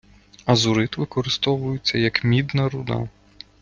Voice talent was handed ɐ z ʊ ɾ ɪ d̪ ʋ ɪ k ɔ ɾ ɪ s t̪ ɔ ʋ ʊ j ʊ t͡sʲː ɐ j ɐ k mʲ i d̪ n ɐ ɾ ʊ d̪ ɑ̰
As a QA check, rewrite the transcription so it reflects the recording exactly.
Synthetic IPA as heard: ɐ z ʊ ɾ ɪ t̪ ʋ ɪ k ɔ ɾ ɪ s t̪ ɔ ʋ ʊ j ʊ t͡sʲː ɐ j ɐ k mʲ i d̪ n ɐ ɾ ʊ d̪ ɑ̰